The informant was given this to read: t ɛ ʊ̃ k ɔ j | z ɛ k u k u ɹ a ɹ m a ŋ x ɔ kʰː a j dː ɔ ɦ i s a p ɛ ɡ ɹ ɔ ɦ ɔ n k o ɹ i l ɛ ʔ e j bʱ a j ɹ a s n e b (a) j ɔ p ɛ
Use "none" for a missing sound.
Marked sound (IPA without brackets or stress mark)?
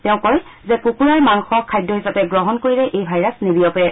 i